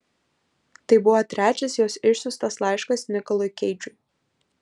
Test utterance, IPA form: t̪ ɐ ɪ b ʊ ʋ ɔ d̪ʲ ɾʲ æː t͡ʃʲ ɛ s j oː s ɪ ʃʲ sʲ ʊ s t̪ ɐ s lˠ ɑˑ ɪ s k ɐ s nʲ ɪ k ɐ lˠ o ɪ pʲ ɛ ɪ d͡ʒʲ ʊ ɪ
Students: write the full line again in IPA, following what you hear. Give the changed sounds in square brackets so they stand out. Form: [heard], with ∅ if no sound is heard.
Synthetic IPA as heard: t̪ ɐ ɪ b ʊ ʋ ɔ [t̪ʲ] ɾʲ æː t͡ʃʲ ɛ s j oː s ɪ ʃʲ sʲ ʊ s t̪ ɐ s lˠ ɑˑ ɪ [ʃ] k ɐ s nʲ ɪ k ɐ lˠ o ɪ [kʲ] ɛ ɪ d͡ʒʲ ʊ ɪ

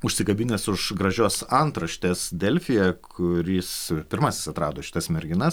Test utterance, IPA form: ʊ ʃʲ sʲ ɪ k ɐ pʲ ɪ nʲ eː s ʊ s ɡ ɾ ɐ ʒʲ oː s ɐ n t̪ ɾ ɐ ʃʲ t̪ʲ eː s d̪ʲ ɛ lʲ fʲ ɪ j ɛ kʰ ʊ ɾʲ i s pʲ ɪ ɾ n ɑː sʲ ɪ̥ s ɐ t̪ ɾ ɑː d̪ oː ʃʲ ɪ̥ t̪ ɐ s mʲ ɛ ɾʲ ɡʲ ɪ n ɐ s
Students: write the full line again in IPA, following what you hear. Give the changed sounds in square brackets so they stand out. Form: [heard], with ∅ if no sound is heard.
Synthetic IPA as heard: ʊ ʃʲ sʲ ɪ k ɐ [bʲ] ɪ nʲ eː s ʊ [ʃ] ɡ ɾ ɐ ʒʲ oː s ɐ n t̪ ɾ ɐ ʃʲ t̪ʲ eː s d̪ʲ ɛ lʲ fʲ ɪ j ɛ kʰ ʊ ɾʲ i s pʲ ɪ ɾ [m] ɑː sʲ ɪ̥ s ɐ t̪ ɾ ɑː d̪ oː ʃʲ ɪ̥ t̪ ɐ s mʲ ɛ ɾʲ ɡʲ ɪ n ɐ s

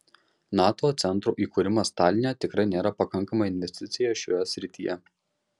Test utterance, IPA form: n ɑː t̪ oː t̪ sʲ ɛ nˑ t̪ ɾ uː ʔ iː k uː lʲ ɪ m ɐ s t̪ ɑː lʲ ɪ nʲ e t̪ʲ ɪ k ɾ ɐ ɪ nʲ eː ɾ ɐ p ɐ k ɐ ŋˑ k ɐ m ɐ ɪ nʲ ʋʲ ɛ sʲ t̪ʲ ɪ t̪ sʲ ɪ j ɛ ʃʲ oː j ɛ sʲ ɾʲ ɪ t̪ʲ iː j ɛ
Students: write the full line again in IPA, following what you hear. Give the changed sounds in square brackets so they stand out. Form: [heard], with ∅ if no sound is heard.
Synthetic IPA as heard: n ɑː t̪ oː t̪ sʲ ɛ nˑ t̪ ɾ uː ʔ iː k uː [ɾʲ] ɪ m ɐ s t̪ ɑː lʲ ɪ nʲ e t̪ʲ ɪ k ɾ ɐ ɪ nʲ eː ɾ ɐ p ɐ k ɐ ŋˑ k ɐ m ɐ ɪ nʲ ʋʲ ɛ sʲ t̪ʲ ɪ t̪ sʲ ɪ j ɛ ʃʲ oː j ɛ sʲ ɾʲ ɪ t̪ʲ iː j ɛ

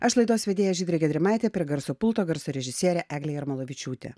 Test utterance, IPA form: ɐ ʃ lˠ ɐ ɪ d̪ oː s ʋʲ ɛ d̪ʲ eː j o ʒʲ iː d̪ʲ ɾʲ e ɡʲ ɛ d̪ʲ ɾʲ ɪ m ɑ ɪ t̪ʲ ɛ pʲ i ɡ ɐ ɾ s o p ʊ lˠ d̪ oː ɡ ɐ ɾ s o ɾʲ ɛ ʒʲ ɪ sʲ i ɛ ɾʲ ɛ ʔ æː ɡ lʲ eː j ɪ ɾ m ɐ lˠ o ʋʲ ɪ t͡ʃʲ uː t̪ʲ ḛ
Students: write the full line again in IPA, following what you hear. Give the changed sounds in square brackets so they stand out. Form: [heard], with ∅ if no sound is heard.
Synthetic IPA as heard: ɐ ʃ lˠ ɐ ɪ d̪ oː s ʋʲ ɛ d̪ʲ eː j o ʒʲ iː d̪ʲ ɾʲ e ɡʲ ɛ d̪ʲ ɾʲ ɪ m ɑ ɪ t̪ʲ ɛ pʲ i ɡ ɐ ɾ s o p ʊ lˠ [t̪] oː ɡ ɐ ɾ s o ɾʲ ɛ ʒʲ ɪ sʲ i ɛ ɾʲ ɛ ʔ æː ɡ lʲ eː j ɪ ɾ m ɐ lˠ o ʋʲ ɪ t͡ʃʲ uː t̪ʲ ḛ

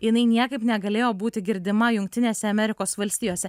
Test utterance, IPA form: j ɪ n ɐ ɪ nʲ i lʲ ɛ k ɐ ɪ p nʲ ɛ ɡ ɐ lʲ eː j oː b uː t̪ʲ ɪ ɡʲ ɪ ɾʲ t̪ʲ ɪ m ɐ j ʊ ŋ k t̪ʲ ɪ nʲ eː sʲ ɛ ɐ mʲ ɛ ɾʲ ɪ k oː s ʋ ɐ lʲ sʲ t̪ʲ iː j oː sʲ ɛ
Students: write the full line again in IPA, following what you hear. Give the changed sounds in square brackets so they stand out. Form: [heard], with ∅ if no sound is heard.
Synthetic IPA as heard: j ɪ n ɐ ɪ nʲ i [∅] ɛ k ɐ ɪ p nʲ ɛ ɡ ɐ lʲ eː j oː b uː t̪ʲ ɪ ɡʲ ɪ ɾʲ [d̪ʲ] ɪ m ɐ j ʊ ŋ k t̪ʲ ɪ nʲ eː sʲ ɛ ɐ mʲ ɛ ɾʲ ɪ k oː s ʋ ɐ lʲ sʲ t̪ʲ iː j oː sʲ ɛ

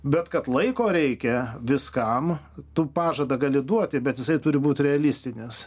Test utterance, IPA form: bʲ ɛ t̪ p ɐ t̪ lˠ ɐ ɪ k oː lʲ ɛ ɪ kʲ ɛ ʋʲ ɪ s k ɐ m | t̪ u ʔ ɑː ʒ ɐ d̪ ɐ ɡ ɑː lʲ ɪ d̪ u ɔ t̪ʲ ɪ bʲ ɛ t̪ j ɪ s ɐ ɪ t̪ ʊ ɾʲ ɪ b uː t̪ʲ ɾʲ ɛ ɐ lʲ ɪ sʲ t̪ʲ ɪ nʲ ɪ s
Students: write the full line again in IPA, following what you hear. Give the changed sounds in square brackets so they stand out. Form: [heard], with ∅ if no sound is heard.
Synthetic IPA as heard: bʲ ɛ t̪ [k] ɐ t̪ lˠ ɐ ɪ k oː [ɾʲ] ɛ ɪ kʲ ɛ ʋʲ ɪ s k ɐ m | t̪ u [p] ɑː ʒ ɐ d̪ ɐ ɡ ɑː lʲ ɪ d̪ u ɔ t̪ʲ ɪ bʲ ɛ t̪ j ɪ s ɐ ɪ t̪ ʊ ɾʲ ɪ b uː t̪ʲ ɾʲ ɛ ɐ lʲ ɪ sʲ t̪ʲ ɪ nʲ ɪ s

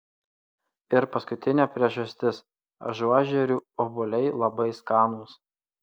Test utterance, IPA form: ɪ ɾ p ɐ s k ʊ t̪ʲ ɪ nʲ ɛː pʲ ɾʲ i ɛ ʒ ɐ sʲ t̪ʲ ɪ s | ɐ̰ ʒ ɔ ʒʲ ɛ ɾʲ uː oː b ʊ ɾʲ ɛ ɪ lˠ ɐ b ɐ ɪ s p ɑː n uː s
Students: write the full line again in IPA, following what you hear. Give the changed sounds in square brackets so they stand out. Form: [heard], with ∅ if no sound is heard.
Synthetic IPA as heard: ɪ ɾ p ɐ s k ʊ t̪ʲ ɪ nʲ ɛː pʲ ɾʲ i ɛ ʒ ɐ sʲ t̪ʲ ɪ s | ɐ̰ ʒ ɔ ʒʲ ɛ ɾʲ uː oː b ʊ [lʲ] ɛ ɪ lˠ ɐ b ɐ ɪ s [k] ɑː n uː s

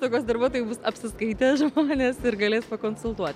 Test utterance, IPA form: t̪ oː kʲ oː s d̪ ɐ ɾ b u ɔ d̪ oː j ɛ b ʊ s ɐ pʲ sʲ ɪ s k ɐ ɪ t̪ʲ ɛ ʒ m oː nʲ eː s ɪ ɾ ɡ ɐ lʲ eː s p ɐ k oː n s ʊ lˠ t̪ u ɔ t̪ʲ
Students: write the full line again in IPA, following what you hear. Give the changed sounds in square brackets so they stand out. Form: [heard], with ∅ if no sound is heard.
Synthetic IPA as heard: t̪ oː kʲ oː s d̪ ɐ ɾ b u ɔ [t̪] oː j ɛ b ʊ s ɐ pʲ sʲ ɪ s k ɐ ɪ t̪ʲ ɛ ʒ m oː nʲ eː s ɪ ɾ ɡ ɐ lʲ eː s p ɐ k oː n s ʊ lˠ t̪ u ɔ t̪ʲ

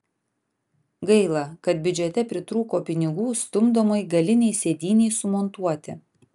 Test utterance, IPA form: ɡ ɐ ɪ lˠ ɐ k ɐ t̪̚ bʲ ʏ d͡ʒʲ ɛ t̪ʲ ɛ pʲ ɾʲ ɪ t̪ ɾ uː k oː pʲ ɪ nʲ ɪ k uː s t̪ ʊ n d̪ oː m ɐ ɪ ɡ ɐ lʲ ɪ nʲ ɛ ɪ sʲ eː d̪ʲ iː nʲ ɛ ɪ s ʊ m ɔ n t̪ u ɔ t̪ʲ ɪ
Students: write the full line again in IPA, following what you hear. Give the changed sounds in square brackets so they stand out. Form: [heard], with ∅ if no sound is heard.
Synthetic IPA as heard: ɡ ɐ ɪ lˠ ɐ k ɐ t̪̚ bʲ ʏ d͡ʒʲ ɛ t̪ʲ ɛ pʲ ɾʲ ɪ t̪ ɾ uː k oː pʲ ɪ nʲ ɪ [ɡ] uː s t̪ ʊ [m] d̪ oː m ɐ ɪ ɡ ɐ lʲ ɪ nʲ ɛ ɪ sʲ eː d̪ʲ iː nʲ ɛ ɪ s ʊ m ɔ n t̪ u ɔ t̪ʲ ɪ

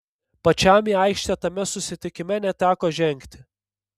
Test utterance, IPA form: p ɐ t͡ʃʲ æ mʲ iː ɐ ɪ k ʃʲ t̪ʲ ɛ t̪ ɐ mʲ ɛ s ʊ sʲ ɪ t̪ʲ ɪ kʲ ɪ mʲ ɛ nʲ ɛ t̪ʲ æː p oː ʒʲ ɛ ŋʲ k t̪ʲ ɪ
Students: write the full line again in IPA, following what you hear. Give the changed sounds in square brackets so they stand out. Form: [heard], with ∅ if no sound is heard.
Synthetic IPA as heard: p ɐ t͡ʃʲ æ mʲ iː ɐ ɪ k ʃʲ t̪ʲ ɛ t̪ ɐ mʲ ɛ s ʊ sʲ ɪ t̪ʲ ɪ kʲ ɪ mʲ ɛ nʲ ɛ t̪ʲ æː [k] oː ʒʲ ɛ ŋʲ k t̪ʲ ɪ

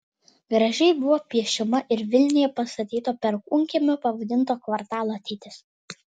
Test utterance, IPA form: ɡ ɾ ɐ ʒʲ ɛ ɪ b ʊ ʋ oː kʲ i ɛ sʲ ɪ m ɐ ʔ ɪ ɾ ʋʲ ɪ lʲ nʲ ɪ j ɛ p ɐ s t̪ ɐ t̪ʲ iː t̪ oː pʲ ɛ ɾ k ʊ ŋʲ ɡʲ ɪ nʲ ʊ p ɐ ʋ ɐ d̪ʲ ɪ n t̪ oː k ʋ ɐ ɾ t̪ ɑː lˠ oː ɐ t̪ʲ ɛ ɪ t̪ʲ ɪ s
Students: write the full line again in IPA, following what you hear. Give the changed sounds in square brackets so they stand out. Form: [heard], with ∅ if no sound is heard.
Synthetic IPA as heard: ɡ ɾ ɐ ʒʲ ɛ ɪ b ʊ ʋ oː [pʲ] i ɛ [ʃʲ] ɪ m ɐ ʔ ɪ ɾ ʋʲ ɪ lʲ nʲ ɪ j ɛ p ɐ s t̪ ɐ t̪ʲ iː t̪ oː pʲ ɛ ɾ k ʊ ŋʲ [kʲ] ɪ [mʲ] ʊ p ɐ ʋ ɐ d̪ʲ ɪ n t̪ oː k ʋ ɐ ɾ t̪ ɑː lˠ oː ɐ t̪ʲ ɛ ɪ t̪ʲ ɪ s

